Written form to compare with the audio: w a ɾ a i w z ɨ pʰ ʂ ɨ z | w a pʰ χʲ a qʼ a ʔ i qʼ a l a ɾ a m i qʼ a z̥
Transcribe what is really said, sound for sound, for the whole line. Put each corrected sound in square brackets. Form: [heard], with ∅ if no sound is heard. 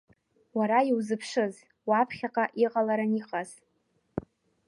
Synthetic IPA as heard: w a ɾ a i w z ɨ pʰ ʂ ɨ z | w a pʰ χʲ a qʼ a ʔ i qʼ a l a ɾ a [n] i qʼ a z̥